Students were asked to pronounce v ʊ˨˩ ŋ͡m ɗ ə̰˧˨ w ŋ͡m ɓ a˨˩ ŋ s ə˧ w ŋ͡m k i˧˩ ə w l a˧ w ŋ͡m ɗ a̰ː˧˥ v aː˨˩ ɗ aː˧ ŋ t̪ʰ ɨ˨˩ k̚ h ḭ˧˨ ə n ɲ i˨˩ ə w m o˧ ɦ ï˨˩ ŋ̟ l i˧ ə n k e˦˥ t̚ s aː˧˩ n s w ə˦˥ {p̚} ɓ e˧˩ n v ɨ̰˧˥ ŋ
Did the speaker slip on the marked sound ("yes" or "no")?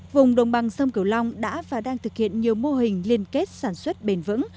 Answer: yes